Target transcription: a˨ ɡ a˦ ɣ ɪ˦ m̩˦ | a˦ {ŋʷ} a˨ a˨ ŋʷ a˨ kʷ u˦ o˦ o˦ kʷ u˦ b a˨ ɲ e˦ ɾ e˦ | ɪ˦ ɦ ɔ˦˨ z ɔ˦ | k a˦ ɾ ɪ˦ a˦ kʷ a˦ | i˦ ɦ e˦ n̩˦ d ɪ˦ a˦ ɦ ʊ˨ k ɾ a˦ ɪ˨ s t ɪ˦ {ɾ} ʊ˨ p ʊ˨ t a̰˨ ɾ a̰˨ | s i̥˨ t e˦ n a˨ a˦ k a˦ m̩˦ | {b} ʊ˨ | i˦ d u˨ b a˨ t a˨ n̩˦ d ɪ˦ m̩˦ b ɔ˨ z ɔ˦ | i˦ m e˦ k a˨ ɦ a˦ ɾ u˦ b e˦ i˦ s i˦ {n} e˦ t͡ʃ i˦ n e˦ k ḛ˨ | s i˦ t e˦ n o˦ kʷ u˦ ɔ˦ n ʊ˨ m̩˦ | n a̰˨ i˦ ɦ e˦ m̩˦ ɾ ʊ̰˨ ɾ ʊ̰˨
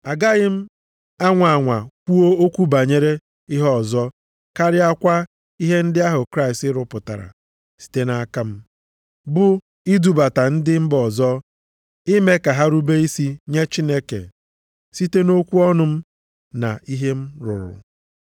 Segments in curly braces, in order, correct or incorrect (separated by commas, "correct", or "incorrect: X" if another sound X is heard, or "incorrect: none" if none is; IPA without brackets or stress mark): correct, correct, correct, incorrect: ɲ